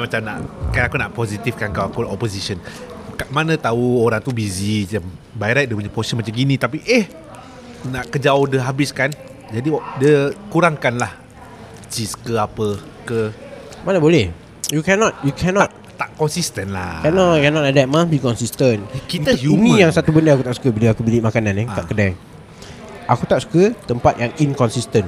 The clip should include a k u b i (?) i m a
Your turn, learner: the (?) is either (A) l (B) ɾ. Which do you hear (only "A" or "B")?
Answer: A